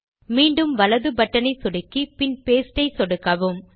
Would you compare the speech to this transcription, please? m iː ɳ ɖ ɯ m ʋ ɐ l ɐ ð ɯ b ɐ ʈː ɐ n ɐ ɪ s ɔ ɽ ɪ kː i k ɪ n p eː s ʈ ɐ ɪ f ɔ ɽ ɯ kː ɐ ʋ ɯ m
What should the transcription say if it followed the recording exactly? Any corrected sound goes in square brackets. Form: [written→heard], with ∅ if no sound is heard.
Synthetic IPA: m iː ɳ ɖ ɯ m ʋ ɐ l ɐ ð ɯ b ɐ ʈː ɐ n ɐ ɪ s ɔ ɽ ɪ kː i [k→p] ɪ n p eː s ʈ ɐ ɪ [f→s] ɔ ɽ ɯ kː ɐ ʋ ɯ m